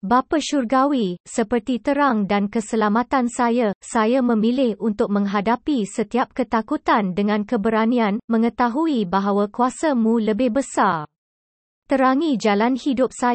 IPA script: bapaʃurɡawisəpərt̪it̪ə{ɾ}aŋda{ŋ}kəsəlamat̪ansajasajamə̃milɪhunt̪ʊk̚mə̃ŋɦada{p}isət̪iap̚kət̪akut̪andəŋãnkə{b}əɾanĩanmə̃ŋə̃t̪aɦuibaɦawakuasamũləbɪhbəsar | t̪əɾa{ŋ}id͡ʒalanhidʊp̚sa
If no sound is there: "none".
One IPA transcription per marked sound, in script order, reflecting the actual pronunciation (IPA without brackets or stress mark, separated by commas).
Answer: ɾ, n, p, b, ŋ